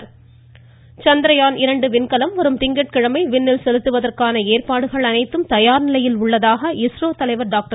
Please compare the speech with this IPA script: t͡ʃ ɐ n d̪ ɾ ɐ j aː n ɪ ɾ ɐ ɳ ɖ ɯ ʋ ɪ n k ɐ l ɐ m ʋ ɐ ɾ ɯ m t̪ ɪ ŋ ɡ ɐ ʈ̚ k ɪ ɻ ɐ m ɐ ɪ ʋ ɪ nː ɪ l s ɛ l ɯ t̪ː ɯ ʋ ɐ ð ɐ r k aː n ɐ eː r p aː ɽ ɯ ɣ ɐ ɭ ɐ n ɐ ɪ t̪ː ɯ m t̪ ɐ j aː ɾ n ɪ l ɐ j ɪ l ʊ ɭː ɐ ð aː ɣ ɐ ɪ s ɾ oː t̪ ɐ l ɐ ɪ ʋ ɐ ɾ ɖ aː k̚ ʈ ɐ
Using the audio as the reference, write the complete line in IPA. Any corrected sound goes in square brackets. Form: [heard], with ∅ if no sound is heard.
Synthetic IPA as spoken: t͡ʃ ɐ n d̪ ɾ ɐ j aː n ɪ ɾ ɐ ɳ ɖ ɯ ʋ ɪ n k ɐ l ɐ m ʋ ɐ ɾ ɯ m t̪ ɪ ŋ ɡ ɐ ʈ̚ k ɪ ɻ ɐ m ɐ ɪ ʋ ɪ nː ɪ l s ɛ l ɯ t̪ː ɯ ʋ ɐ ð ɐ r k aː n ɐ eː r p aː ɽ ɯ ɣ ɐ ɭ ɐ n ɐ ɪ t̪ː ɯ m t̪ ɐ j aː ɾ n ɪ l ɐ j ɪ l ʊ ɭː ɐ ð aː ɣ ɐ ɪ s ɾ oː t̪ ɐ l ɐ ɪ ʋ ɐ ɾ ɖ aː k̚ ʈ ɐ